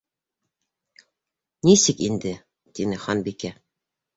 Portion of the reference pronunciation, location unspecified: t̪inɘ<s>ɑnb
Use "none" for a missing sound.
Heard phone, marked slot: χ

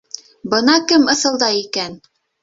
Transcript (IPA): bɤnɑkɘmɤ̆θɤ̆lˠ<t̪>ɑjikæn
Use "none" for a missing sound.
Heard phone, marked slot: d̪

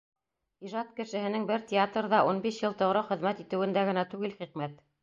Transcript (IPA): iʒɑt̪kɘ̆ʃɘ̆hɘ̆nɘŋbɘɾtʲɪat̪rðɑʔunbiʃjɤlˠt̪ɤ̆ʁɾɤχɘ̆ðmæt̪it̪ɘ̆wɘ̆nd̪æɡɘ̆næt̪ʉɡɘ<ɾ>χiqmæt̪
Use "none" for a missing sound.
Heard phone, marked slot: l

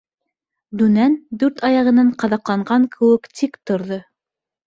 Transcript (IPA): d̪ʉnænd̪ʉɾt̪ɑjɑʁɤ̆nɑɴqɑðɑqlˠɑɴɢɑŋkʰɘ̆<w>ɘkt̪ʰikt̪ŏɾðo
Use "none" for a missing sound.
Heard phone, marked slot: w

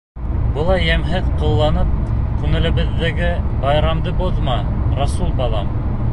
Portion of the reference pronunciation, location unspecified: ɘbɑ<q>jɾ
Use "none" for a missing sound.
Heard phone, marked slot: none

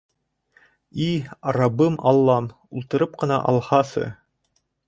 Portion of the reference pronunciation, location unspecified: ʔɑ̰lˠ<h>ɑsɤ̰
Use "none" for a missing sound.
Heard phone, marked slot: h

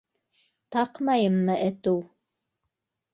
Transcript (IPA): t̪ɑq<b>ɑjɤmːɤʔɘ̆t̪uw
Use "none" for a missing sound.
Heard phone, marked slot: m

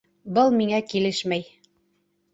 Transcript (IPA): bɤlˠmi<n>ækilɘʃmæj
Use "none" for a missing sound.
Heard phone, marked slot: ŋ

